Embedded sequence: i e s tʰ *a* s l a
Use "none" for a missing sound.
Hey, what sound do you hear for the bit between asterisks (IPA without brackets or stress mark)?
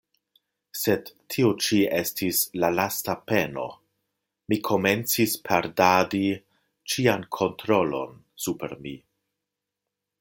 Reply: i